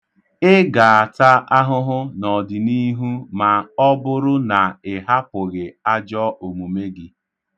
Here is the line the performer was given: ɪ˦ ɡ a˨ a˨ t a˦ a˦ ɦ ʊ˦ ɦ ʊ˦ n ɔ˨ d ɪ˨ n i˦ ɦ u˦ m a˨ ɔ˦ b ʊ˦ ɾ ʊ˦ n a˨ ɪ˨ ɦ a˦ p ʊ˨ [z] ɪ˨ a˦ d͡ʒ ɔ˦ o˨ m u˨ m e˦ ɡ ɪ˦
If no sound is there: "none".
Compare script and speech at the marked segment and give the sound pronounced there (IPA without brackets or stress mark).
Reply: ɣ